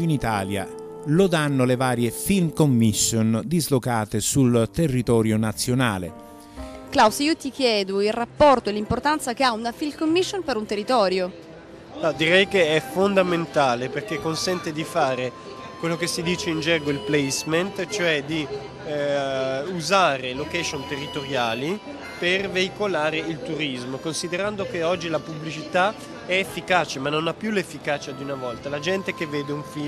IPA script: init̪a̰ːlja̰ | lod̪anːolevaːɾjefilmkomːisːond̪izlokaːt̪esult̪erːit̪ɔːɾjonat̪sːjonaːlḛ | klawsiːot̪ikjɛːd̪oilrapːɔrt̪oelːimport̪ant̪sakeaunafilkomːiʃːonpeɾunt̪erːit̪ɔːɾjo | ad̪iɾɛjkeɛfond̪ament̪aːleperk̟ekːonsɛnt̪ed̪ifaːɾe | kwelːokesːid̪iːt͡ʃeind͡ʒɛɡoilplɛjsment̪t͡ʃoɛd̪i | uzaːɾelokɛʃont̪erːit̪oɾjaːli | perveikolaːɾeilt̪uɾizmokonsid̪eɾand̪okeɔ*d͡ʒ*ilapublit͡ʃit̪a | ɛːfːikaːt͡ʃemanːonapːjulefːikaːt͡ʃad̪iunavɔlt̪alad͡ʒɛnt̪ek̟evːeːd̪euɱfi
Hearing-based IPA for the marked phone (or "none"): d͡ʒː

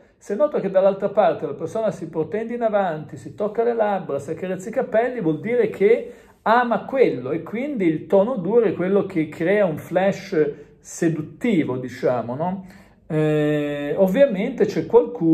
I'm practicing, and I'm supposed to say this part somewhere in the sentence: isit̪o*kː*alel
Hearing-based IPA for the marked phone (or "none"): kː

